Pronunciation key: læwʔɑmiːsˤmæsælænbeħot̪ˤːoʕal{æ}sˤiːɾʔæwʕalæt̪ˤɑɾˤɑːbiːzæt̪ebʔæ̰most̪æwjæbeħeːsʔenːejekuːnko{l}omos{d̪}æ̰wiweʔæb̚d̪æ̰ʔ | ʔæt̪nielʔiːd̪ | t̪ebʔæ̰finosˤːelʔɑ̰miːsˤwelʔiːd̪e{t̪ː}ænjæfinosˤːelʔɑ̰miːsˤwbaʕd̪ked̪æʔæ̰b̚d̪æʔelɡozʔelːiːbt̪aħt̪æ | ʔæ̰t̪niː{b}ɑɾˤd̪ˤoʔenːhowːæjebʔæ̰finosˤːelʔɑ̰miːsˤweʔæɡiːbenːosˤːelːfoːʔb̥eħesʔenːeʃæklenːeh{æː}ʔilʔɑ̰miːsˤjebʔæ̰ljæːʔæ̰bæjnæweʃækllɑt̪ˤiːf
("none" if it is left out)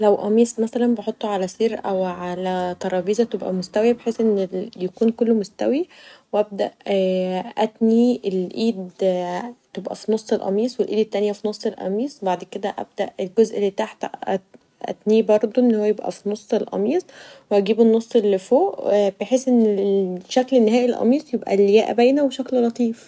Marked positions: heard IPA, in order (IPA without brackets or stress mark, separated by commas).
æ, lː, t̪, t̪ː, b, æː